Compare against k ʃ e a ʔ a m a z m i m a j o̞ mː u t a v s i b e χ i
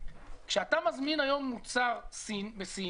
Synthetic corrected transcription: k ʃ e a t a m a z m i n a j o̞ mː u t͡s a ʁ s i b e s i